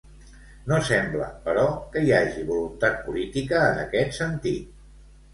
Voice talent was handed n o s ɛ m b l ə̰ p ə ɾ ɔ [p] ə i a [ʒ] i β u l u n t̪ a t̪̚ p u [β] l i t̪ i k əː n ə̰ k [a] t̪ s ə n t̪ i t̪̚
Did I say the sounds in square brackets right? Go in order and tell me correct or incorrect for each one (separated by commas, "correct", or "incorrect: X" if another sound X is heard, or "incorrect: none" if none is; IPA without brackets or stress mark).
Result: incorrect: k, correct, incorrect: none, incorrect: ɛ